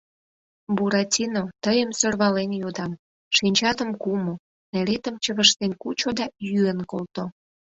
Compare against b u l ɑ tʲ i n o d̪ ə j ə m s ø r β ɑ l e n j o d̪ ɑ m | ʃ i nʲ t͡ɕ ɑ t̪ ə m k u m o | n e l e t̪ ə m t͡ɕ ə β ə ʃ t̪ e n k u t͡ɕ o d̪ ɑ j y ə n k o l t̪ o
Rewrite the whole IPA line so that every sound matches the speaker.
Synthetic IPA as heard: b u ɾ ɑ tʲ i n o t̪ ə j ə m s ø r β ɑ l e n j o d̪ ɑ m | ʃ i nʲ t͡ɕ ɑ t̪ ə m k u m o | n e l e t̪ ə m t͡ɕ ə β ə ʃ t̪ e n k u t͡ɕ o d̪ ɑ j y ə n k o l t̪ o